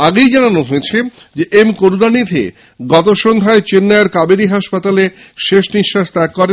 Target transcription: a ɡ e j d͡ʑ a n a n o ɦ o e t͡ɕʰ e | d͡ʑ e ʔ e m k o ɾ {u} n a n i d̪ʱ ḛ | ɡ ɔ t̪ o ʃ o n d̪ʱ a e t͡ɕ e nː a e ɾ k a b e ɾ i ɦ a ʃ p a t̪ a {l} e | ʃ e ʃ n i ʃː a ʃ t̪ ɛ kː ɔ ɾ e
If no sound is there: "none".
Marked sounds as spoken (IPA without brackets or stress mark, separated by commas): u, l